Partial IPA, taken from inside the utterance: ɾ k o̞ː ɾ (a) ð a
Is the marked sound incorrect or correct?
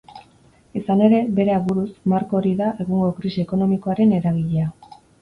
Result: incorrect